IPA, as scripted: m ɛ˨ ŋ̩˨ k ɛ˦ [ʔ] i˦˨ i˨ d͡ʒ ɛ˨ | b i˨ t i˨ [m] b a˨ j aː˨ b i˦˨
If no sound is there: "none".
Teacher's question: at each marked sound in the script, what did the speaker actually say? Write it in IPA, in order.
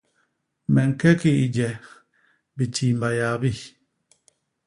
k, m

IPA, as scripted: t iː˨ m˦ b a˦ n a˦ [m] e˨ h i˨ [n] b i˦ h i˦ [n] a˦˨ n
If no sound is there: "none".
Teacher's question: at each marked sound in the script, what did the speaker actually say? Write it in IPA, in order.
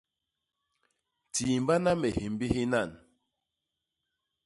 m, m, n

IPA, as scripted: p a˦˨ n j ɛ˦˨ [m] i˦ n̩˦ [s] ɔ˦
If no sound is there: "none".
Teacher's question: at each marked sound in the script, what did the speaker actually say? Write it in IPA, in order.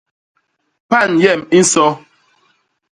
m, s

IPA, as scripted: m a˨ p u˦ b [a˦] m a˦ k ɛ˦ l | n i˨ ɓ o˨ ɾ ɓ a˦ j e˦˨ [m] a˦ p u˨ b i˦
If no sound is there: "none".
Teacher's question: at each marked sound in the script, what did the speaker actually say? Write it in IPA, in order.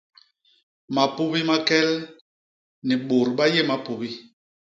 i˦, m

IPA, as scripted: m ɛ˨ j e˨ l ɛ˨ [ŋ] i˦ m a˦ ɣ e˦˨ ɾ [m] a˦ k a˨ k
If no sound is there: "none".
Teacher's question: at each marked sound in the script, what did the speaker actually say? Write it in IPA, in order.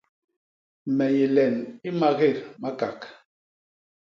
n, m

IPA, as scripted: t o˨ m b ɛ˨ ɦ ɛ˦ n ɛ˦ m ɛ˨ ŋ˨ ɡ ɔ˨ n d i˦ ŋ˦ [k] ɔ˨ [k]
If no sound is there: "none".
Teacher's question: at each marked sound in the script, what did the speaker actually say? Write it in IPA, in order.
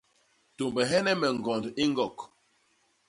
ɡ, k

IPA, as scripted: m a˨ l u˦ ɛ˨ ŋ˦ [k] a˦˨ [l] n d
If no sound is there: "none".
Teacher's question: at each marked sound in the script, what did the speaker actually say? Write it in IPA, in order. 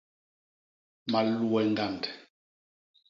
ɡ, none

